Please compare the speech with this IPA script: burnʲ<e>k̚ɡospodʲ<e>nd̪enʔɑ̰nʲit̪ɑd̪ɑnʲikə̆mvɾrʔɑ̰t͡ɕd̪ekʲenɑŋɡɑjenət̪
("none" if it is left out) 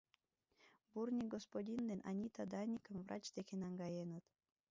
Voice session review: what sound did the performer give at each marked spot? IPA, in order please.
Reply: i, i

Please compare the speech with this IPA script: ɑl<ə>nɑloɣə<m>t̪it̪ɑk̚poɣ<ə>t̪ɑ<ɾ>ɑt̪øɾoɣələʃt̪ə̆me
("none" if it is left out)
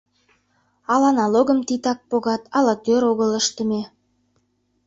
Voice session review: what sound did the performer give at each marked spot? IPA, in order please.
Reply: ɑ, m, ɑ, l

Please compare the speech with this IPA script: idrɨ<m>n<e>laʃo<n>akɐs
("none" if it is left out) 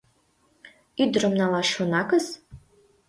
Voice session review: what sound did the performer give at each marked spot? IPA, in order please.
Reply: m, a, n

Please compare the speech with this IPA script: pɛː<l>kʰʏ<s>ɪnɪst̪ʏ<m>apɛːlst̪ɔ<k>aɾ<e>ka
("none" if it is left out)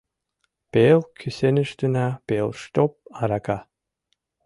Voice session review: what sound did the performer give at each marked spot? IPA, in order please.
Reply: l, s, n, p, a

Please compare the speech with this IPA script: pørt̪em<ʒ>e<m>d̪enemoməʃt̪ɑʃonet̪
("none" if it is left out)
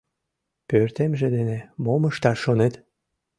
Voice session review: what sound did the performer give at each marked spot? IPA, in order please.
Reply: ʒ, none

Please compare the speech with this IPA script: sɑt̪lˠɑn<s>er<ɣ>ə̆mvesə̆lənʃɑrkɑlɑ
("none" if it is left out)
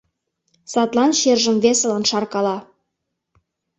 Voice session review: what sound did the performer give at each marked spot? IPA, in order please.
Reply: ʃ, ʒ

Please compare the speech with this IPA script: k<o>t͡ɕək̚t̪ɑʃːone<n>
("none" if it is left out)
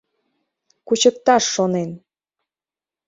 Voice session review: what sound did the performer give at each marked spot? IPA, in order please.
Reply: u, n

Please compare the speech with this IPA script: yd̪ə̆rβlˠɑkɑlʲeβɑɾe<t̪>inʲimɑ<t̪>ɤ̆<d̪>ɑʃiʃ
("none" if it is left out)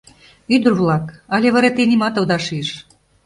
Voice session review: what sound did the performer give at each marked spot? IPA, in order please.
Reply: t̪, t̪, d̪

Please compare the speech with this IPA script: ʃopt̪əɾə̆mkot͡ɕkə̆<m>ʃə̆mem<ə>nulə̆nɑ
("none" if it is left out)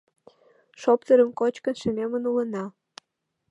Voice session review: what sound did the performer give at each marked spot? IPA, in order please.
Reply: n, ə

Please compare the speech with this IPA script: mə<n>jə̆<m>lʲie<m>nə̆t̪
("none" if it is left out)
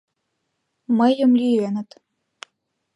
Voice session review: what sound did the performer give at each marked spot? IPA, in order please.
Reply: none, m, none

